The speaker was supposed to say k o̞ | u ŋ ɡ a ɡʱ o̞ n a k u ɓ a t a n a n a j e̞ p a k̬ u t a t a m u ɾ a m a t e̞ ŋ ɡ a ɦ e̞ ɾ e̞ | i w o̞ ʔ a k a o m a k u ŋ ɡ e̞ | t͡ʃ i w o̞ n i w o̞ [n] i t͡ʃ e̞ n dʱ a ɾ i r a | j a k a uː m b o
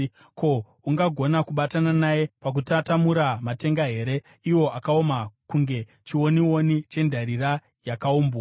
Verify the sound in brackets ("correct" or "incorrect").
correct